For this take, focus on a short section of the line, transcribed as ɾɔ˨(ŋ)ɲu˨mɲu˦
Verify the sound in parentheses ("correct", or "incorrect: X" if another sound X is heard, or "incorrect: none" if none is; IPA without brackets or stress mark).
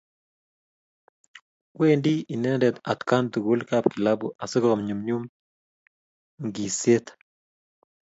incorrect: m